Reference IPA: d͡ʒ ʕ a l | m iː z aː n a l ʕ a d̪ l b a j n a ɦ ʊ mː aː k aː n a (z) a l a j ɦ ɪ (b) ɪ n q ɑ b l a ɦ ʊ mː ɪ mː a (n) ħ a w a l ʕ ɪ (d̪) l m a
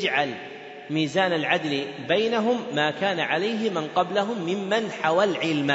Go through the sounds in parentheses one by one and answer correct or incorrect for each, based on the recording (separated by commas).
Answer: incorrect, incorrect, correct, incorrect